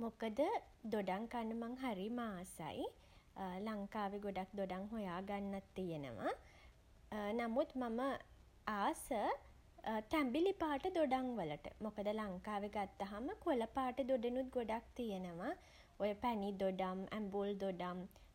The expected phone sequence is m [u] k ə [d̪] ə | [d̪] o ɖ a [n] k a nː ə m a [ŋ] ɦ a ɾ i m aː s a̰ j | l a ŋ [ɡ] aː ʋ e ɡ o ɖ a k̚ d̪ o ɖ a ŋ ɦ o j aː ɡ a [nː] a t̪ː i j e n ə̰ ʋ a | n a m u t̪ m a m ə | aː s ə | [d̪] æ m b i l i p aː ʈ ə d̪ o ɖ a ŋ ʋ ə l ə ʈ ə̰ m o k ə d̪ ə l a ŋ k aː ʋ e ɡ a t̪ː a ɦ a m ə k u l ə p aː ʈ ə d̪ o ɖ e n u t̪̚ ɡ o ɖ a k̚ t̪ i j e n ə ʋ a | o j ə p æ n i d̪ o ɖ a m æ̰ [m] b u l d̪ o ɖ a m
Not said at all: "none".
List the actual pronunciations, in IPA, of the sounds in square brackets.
o, d̪, d̪, ŋ, ŋ, k, nː, t̪, m

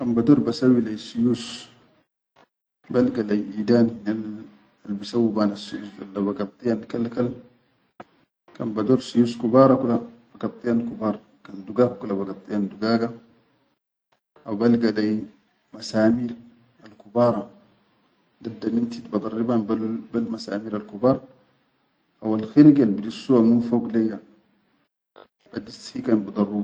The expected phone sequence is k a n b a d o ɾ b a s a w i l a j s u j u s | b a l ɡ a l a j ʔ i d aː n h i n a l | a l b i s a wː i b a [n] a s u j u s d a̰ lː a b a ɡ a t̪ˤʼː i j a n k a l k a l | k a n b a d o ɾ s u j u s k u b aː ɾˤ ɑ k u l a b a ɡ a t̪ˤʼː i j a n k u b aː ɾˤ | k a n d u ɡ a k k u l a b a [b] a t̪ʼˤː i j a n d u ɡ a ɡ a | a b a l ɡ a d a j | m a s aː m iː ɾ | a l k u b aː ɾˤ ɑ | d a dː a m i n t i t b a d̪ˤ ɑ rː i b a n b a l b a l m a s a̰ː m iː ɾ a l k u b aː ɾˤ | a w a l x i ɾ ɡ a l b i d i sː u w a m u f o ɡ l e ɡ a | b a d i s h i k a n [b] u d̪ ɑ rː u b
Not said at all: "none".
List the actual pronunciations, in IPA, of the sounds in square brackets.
n, ɡ, b

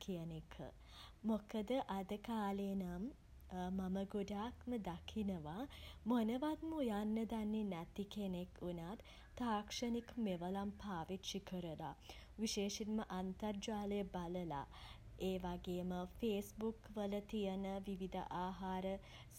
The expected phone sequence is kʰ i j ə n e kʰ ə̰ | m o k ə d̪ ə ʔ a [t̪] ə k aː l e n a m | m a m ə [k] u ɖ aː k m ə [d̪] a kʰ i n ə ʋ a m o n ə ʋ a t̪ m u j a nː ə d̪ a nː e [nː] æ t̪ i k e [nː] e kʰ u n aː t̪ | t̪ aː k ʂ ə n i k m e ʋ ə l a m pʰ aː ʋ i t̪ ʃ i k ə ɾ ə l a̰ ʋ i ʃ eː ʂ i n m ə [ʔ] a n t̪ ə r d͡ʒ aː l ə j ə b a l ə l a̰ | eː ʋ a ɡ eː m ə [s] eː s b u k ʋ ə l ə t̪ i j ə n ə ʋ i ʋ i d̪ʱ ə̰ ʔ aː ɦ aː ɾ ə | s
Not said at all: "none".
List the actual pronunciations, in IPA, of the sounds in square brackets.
d̪, ɡ, d̪, n, n, ʔ, f

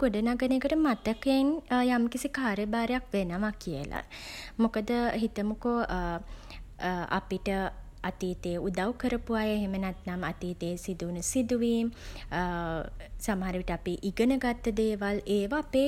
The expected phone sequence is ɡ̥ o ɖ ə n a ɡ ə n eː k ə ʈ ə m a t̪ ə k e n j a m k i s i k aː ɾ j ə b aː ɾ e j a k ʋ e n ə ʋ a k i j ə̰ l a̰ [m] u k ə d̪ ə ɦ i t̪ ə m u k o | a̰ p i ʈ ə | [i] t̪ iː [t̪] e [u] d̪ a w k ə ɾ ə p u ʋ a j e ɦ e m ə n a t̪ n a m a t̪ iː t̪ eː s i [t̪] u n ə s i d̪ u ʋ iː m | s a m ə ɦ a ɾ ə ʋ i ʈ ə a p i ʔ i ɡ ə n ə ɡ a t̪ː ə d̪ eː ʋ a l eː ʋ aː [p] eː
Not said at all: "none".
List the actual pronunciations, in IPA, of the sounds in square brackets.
m, a, t̪, u, d̪, p

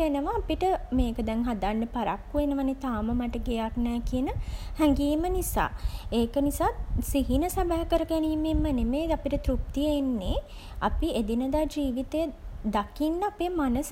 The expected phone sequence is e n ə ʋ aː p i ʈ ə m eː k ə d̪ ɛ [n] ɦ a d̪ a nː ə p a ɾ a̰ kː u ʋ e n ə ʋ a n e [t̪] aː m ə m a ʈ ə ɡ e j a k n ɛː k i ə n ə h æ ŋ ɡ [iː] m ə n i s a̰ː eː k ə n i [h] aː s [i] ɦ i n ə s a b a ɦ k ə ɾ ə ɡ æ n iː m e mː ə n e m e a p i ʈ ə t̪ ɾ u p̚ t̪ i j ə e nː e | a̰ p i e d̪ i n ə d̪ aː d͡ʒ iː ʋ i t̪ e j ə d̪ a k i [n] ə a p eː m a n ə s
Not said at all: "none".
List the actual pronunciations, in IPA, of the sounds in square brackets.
ŋ, t̪, iː, s, i, nː

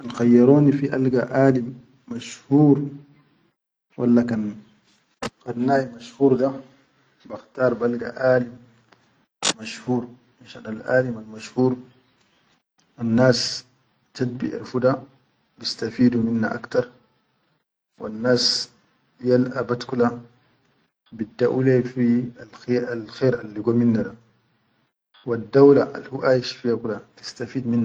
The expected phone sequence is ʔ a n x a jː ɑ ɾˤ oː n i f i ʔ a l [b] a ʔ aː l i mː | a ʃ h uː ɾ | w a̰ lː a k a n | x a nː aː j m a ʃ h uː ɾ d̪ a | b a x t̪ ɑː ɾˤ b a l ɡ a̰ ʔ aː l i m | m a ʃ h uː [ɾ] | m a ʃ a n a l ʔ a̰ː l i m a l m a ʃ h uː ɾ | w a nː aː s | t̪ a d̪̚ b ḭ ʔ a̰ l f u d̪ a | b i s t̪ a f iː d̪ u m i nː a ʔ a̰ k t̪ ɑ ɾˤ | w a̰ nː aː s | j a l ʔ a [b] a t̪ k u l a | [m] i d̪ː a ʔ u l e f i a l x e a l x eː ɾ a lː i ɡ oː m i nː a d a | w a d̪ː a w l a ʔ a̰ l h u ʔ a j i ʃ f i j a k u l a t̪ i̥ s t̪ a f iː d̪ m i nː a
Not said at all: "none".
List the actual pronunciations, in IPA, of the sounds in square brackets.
ɡ, ɾ, b, b

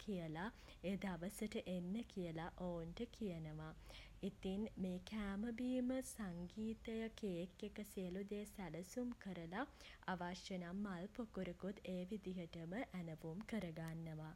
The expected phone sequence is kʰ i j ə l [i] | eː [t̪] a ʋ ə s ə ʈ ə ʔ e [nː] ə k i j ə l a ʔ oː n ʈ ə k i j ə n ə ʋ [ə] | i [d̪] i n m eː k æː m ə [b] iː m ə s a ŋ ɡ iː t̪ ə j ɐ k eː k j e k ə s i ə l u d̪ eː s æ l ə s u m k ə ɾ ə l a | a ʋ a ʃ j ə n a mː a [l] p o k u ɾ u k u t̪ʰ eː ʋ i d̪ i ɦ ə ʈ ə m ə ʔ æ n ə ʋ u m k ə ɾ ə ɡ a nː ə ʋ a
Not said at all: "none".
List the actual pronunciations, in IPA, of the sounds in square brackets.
a, d̪, nː, a, t̪, b, l

